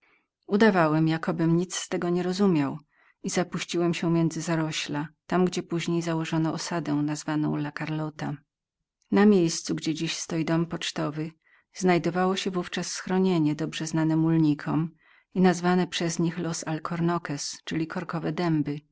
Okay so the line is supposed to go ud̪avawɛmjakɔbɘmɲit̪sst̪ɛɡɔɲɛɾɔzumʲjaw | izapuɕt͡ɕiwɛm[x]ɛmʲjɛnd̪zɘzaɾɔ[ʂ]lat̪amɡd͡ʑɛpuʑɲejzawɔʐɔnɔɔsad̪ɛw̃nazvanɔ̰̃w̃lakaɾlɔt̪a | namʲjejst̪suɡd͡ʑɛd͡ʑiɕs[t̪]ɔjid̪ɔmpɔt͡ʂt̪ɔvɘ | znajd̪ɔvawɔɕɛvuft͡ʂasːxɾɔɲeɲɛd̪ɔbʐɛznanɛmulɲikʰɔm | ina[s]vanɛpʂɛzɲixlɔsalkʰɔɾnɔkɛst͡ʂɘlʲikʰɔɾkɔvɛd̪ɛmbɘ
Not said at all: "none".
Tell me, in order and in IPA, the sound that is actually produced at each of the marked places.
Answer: ɕ, ɕ, t̪, z

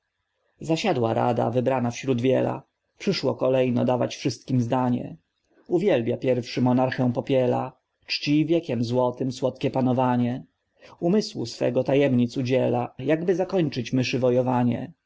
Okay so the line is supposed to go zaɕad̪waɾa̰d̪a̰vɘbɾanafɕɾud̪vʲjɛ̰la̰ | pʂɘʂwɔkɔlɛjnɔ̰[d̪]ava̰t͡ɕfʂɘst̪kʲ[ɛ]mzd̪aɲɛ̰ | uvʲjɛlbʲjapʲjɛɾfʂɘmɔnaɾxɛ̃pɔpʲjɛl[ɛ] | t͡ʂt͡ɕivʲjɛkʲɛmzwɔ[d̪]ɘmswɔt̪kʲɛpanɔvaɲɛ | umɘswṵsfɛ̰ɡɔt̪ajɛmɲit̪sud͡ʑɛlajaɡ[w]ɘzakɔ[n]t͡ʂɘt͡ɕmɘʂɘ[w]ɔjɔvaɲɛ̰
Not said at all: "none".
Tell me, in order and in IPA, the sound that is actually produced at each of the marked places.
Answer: d̪, i, a, t̪, b, ɲ, v

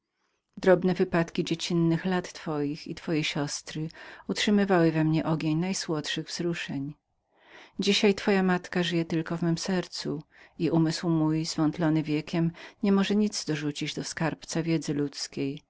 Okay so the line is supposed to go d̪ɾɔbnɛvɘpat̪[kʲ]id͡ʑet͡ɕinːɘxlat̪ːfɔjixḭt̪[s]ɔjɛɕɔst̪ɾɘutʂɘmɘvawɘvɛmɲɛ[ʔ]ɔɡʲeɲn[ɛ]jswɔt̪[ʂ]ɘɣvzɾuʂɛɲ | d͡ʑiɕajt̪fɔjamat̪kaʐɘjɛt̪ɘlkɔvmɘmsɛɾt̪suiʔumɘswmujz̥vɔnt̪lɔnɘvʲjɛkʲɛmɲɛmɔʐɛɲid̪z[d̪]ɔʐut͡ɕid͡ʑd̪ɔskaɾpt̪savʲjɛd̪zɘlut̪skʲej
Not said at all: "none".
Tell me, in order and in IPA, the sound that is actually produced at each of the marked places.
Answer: kʲ, f, ʔ, a, ʂ, d̪

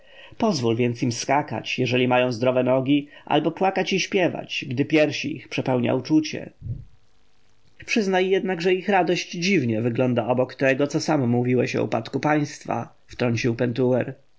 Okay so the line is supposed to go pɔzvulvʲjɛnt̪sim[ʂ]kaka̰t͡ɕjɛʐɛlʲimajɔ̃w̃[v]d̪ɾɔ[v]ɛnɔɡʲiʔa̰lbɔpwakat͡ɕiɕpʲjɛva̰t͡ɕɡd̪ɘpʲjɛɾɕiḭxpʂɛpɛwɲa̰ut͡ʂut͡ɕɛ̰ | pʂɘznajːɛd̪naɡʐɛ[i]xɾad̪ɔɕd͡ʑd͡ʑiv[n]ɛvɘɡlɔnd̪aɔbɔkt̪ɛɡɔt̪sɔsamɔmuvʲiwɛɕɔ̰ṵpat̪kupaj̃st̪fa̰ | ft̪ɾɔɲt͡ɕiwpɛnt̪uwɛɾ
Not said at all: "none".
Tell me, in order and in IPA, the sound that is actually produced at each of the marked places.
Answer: s, z, v, i, ɲ

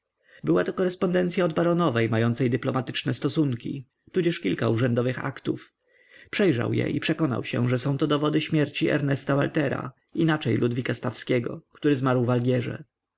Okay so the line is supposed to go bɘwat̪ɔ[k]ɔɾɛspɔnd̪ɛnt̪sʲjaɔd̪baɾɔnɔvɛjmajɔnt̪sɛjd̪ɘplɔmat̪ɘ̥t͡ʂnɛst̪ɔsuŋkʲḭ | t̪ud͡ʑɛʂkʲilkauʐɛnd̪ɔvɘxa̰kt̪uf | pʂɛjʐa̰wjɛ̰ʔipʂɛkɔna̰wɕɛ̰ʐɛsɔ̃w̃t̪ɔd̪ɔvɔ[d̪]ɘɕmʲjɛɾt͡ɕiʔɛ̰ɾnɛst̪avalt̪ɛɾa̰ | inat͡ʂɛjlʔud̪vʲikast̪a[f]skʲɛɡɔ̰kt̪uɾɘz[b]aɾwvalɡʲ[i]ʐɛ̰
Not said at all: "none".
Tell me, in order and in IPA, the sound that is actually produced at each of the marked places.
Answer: k, d̪, f, m, ɛ

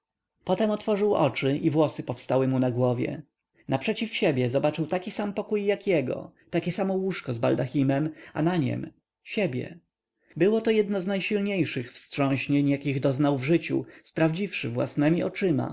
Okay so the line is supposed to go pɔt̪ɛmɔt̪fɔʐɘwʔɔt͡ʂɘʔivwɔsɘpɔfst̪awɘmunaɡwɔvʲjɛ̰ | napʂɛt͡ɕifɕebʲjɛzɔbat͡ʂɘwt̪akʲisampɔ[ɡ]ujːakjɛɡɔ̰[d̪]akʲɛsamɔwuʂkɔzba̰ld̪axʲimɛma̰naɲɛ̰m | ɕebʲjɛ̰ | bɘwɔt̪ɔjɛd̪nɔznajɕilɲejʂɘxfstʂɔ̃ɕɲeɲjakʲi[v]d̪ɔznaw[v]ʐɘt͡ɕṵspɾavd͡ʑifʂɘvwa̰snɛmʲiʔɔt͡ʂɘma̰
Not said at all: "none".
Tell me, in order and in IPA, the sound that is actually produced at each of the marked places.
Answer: k, t̪, ɣ, v

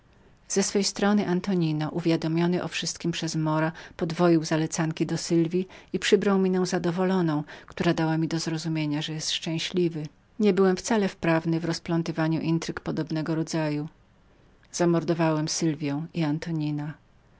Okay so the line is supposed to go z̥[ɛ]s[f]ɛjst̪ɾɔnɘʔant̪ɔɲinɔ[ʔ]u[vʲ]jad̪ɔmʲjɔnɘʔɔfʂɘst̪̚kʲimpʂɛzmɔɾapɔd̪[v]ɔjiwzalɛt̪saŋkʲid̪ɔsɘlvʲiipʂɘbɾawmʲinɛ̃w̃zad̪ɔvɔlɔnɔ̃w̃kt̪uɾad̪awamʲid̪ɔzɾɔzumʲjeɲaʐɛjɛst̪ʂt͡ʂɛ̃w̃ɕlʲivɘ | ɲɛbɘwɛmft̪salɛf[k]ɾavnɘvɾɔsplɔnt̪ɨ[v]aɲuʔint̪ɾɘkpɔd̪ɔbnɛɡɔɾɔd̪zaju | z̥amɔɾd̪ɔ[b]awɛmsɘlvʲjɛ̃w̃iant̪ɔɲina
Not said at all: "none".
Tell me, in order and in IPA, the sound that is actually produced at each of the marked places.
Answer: ɛ, f, ʔ, vʲ, v, p, v, v

